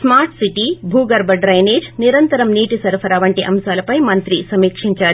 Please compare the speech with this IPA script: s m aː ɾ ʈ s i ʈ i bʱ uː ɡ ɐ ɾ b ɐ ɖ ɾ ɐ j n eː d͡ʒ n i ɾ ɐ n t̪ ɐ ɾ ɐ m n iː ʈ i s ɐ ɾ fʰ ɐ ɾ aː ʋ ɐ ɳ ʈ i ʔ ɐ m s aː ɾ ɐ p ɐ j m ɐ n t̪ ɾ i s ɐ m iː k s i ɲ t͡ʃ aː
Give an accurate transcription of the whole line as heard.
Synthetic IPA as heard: s m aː ɾ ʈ s i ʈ i bʱ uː ɡ ɐ ɾ b ɐ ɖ ɾ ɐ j n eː d͡ʒ n i ɾ ɐ n t̪ ɐ ɾ ɐ m n iː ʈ i s ɐ ɾ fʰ ɐ ɾ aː ʋ ɐ ɳ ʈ i ʔ ɐ m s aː l ɐ p ɐ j m ɐ n t̪ ɾ i s ɐ m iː k ʂ i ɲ t͡ʃ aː